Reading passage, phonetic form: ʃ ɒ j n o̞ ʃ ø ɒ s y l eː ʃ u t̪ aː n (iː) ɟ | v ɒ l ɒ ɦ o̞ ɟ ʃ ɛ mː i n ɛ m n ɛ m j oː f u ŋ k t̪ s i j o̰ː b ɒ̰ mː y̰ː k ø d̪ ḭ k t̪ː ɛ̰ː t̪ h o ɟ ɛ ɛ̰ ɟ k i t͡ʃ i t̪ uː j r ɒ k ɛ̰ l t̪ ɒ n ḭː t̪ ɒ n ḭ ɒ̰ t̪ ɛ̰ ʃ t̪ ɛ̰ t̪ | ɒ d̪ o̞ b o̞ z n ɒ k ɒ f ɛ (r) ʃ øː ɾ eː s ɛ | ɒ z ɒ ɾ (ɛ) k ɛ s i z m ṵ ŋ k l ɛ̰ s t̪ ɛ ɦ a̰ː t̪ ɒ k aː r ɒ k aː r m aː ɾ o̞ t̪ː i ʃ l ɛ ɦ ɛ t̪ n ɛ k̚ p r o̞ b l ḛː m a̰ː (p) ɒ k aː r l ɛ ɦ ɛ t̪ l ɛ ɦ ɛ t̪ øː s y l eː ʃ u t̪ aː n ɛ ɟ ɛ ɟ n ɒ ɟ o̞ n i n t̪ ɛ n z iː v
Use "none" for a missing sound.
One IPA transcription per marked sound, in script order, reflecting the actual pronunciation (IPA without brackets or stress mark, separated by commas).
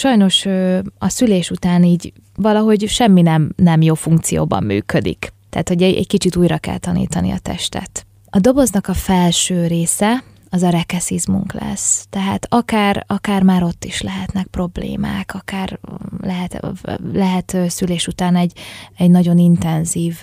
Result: iː, l, ɛ, k